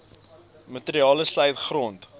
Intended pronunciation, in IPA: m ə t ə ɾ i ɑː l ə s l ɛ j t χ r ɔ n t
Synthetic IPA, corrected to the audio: m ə t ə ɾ i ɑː l ə s l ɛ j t χ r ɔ n t